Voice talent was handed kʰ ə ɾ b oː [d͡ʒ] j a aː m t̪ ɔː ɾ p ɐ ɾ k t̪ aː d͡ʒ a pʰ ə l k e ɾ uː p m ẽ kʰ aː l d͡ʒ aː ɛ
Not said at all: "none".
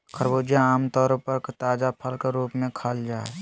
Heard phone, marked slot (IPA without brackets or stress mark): d͡ʒ